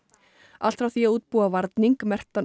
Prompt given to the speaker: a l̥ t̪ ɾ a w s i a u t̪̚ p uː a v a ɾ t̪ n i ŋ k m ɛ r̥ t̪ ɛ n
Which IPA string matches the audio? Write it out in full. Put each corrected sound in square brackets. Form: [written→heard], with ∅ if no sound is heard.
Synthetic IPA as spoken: a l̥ t̪ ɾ a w [s→θ] i a [u→uː] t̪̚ p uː a v a ɾ t̪ n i ŋ k m ɛ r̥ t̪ [ɛ→a] n